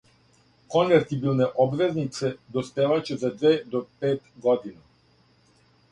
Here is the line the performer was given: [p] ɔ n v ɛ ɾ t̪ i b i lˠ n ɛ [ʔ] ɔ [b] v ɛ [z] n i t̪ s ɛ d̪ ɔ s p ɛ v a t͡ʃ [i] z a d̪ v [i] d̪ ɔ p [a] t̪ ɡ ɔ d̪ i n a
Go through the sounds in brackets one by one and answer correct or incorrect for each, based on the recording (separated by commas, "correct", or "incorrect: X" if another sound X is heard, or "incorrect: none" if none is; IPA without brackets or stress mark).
incorrect: k, correct, correct, correct, incorrect: ɛ, incorrect: ɛ, incorrect: ɛ